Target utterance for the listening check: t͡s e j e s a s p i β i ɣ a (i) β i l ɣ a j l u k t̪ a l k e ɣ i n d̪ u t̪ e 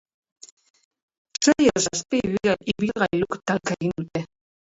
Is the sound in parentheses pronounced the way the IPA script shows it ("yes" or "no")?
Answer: yes